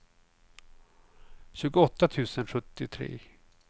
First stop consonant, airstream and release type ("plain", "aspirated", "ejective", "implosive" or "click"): plain